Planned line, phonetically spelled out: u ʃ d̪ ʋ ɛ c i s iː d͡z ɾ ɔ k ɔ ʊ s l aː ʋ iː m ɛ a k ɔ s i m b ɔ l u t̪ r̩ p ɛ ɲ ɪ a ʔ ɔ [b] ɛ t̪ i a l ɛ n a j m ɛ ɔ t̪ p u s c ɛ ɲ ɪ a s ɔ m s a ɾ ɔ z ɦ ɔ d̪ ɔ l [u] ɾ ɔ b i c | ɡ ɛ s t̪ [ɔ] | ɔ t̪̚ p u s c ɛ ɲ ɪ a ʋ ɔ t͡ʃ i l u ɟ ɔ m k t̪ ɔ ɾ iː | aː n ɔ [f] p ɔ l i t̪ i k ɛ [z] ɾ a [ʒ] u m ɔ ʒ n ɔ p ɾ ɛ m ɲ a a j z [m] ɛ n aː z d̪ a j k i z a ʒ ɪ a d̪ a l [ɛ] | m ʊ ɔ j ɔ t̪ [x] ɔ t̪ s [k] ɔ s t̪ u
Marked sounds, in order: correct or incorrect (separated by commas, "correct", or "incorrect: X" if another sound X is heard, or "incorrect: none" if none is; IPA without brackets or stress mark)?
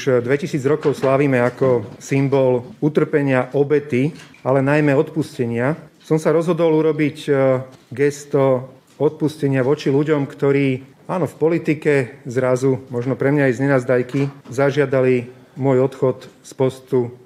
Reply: correct, correct, correct, correct, correct, incorrect: z, incorrect: ɲ, incorrect: i, correct, incorrect: p